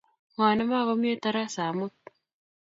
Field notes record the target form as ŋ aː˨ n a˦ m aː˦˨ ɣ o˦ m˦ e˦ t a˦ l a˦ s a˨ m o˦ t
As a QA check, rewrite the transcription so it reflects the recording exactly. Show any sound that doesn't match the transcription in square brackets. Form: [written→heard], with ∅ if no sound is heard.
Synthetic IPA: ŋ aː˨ n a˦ m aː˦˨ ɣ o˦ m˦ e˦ t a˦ [l→ɾ] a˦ s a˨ m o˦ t